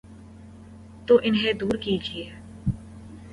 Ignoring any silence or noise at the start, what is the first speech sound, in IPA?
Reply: t̪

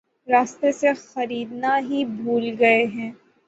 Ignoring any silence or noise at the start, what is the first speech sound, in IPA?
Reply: ɾ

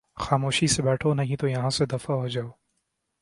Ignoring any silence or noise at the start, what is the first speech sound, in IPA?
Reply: x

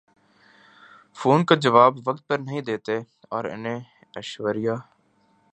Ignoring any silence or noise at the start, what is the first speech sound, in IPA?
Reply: f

